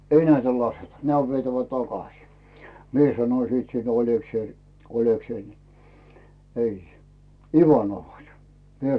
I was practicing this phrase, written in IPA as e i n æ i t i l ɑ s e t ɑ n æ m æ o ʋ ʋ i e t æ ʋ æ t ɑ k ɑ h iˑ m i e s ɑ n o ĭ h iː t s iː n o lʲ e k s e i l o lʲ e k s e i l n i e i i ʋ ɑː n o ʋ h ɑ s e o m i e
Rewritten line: e i n æ i t æ l ɑ s e t ɑ n æ m æ o ʋ ʋ i e t æ ʋ æ t ɑ k ɑ s iˑ m i e s ɑ n o ĭ s iː t s iː n o lʲ e k s e i l o lʲ e k s e i l n i e i i ʋ ɑ n o ʋ h ɑ s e o m i e